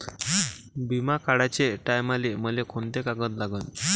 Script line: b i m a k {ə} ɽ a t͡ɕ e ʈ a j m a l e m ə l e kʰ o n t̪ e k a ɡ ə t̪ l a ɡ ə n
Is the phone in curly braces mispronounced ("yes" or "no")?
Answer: yes